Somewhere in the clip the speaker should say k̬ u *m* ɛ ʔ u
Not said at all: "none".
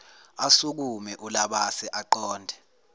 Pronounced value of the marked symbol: m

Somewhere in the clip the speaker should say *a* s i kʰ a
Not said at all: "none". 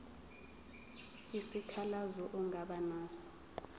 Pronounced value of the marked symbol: i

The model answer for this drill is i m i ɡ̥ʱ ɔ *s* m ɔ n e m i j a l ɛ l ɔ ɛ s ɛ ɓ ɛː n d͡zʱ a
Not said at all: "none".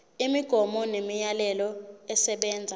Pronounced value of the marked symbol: none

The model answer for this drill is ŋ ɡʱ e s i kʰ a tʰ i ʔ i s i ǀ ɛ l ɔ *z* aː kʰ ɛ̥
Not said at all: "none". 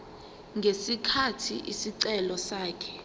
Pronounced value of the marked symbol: s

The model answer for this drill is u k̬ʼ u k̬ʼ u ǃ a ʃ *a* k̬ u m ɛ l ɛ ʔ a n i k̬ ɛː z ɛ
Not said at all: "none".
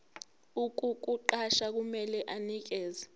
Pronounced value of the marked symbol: a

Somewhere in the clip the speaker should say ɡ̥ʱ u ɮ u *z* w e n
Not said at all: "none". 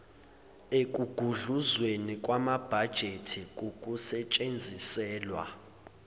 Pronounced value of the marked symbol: z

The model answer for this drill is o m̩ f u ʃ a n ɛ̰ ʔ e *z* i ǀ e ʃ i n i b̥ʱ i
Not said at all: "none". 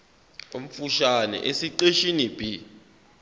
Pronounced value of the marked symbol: s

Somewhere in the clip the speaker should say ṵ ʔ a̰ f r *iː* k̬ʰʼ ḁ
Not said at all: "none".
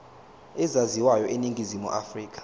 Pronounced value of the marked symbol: iː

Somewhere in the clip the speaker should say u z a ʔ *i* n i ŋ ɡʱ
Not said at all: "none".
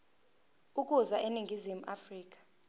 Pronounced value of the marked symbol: e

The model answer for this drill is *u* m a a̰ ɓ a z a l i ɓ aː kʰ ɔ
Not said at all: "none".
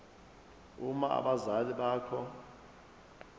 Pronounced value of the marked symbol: u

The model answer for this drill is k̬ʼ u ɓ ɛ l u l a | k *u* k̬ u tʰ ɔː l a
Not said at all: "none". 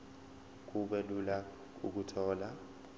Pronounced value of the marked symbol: u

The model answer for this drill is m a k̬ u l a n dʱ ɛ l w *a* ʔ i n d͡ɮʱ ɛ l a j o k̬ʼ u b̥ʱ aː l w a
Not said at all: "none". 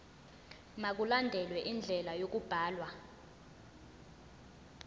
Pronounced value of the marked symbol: ɛ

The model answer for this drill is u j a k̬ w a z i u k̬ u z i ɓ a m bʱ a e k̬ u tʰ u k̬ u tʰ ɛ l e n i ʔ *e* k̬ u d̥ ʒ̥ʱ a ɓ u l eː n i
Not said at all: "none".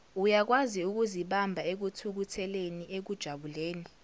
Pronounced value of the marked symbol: e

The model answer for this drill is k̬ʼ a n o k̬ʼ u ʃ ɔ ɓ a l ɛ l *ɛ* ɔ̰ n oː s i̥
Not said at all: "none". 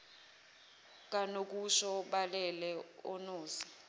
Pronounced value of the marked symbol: ɛ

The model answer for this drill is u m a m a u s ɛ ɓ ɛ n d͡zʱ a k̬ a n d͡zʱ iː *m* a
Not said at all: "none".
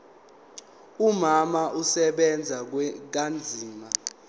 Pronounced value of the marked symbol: m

